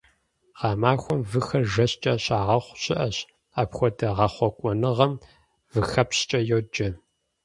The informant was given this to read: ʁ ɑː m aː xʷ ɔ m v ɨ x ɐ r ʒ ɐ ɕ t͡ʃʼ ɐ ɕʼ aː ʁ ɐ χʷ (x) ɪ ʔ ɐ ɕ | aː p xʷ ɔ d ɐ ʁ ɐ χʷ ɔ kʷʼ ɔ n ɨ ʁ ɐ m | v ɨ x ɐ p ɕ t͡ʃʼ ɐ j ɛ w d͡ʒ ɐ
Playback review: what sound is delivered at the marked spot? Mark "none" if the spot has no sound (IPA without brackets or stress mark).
ɕ